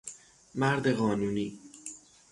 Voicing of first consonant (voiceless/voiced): voiced